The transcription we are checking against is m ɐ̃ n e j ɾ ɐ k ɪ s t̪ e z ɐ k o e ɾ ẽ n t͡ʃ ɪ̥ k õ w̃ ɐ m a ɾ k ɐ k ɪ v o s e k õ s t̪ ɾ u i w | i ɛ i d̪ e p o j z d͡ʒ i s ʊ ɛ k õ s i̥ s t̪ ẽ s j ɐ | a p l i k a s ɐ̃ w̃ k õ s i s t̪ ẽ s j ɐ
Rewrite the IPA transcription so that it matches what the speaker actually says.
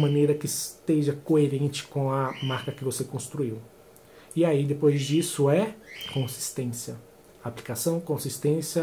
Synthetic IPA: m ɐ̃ n e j ɾ ɐ k ɪ s t̪ e ʒ ɐ k o e ɾ ẽ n t͡ʃ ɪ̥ k õ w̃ ɐ m a ɾ k ɐ k ɪ v o s e k õ s t̪ ɾ u i w | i a i d̪ e p o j z d͡ʒ i s ʊ ɛ k õ s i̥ s t̪ ẽ s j ɐ | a p l i k a s ɐ̃ w̃ k õ s i s t̪ ẽ s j ɐ